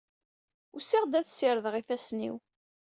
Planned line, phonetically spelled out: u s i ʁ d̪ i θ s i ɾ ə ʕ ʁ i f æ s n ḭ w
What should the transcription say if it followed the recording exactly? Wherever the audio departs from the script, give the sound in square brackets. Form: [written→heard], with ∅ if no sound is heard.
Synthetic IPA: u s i ʁ d̪ [i→æ] θ s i ɾ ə [ʕ→ð] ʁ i f æ s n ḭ w